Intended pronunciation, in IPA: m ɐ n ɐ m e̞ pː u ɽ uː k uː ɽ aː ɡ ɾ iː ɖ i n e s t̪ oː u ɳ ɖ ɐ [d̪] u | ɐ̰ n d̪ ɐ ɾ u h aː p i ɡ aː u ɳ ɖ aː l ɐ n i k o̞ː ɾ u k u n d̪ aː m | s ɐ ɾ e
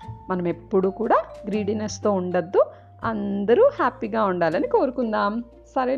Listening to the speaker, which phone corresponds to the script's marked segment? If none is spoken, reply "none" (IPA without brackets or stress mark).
d̪ː